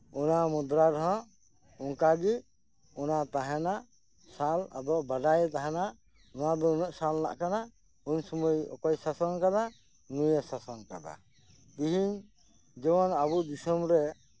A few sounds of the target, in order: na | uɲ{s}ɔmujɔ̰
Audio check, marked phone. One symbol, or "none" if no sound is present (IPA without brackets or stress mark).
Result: s